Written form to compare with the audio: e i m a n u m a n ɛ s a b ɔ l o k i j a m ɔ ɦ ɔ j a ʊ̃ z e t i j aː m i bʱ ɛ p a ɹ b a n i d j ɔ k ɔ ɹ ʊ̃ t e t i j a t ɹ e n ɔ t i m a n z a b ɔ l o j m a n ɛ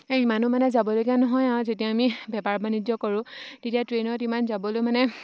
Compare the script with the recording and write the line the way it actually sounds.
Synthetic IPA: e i m a n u m a n ɛ z a b ɔ l o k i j a n ɔ ɦ ɔ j a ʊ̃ z e t i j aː m i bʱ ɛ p a ɹ b a n i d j ɔ k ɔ ɹ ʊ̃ t e t i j a t ɹ e n ɔ t i m a n z a b ɔ l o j m a n ɛ